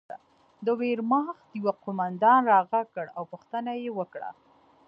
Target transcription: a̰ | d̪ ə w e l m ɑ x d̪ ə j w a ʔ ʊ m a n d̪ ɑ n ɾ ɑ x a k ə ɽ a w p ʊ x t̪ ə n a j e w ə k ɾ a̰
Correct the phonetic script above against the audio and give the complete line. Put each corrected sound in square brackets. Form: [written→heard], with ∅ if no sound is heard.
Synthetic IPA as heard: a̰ | d̪ ə w e [l→ɾ] m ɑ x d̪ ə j w a [ʔ→q] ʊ m a n d̪ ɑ n ɾ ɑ [x→ɣ] a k ə ɽ a w p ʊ x t̪ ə n a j e w ə k [ɾ→ɽ] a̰